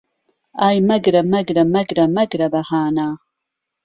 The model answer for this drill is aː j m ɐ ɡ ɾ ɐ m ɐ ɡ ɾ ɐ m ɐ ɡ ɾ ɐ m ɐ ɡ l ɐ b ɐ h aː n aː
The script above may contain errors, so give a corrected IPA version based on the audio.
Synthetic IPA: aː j m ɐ ɡ ɾ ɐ m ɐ ɡ ɾ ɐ m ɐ ɡ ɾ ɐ m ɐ ɡ ɾ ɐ b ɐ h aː n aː